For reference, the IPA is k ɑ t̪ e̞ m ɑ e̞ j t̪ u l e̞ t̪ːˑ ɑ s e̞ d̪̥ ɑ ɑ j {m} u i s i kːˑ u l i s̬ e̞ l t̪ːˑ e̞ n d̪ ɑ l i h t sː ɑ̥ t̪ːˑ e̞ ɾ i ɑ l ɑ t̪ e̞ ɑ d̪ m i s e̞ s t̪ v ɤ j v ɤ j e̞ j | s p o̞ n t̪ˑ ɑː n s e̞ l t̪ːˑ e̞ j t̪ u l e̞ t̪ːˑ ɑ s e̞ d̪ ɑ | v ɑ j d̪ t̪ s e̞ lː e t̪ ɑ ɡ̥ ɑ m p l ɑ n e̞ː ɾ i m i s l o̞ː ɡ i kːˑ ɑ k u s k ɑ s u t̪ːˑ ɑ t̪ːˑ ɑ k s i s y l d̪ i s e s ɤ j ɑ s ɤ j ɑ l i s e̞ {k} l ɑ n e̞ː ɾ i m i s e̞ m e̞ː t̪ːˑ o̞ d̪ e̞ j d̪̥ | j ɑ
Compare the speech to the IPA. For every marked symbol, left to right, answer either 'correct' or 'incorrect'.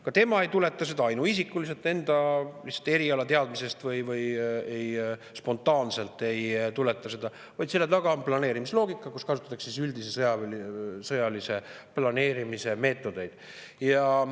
incorrect: n, incorrect: p

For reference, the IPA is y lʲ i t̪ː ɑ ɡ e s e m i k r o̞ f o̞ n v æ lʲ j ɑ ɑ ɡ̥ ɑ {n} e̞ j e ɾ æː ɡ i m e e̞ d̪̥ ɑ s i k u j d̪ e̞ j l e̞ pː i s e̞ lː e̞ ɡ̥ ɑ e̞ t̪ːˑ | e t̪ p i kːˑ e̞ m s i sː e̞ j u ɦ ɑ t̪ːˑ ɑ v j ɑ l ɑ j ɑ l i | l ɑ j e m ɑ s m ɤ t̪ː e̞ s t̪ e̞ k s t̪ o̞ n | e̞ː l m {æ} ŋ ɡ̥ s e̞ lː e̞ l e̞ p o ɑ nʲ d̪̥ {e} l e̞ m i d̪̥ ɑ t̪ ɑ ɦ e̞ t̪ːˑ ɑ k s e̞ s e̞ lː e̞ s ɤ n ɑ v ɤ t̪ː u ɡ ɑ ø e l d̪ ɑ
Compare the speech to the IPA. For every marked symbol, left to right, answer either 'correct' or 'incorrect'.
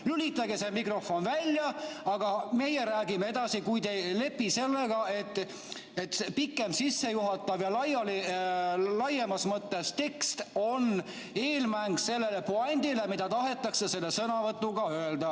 incorrect: m, correct, incorrect: i

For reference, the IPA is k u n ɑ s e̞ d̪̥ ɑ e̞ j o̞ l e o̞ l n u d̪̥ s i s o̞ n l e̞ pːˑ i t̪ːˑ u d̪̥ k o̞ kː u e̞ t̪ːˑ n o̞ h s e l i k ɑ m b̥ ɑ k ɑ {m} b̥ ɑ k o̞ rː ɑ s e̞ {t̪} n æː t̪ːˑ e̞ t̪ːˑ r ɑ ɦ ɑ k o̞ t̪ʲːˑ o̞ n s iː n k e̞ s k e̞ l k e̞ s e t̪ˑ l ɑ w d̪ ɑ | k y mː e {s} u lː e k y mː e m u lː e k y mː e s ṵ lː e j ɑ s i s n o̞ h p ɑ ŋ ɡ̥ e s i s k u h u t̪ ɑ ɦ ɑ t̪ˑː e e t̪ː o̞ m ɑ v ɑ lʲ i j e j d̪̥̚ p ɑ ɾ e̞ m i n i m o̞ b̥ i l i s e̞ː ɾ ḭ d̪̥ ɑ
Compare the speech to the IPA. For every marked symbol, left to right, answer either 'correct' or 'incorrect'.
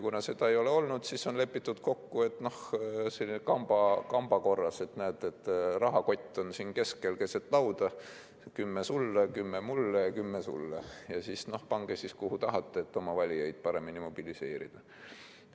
correct, correct, correct

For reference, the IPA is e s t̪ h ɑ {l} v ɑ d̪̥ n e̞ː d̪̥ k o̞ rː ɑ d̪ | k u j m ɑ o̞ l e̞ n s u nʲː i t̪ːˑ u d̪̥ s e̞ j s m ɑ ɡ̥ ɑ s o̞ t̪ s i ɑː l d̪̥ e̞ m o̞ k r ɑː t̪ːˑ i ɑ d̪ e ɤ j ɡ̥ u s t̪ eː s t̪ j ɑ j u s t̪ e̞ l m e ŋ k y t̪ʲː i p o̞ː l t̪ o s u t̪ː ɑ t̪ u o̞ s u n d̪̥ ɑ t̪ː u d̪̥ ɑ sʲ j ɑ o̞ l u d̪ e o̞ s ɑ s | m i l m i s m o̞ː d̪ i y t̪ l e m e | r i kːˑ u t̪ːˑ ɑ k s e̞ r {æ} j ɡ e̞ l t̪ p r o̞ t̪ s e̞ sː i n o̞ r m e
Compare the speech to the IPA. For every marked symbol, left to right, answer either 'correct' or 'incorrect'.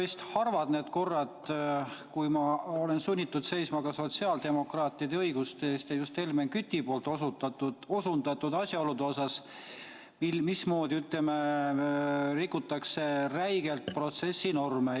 incorrect: r, correct

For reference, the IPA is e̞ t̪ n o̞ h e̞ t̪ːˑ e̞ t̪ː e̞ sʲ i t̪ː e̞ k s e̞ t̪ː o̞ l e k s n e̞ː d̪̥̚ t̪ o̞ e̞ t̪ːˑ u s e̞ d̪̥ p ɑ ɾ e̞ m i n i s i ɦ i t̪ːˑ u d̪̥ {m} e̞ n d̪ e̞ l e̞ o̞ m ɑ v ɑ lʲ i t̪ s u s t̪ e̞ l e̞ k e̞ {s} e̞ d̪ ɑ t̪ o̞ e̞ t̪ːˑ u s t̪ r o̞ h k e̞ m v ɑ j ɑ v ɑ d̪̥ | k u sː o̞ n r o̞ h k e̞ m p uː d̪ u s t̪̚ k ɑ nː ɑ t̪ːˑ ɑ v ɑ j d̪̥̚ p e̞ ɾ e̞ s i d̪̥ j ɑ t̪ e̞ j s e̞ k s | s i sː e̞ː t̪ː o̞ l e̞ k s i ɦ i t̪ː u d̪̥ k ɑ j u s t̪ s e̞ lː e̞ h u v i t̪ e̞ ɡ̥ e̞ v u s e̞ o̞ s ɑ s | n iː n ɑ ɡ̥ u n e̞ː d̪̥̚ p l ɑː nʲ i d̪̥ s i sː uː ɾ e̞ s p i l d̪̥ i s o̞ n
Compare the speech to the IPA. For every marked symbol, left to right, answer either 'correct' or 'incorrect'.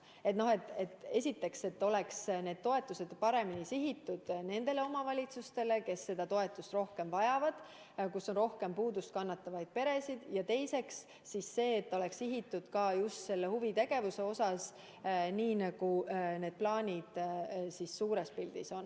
incorrect: n, incorrect: sː

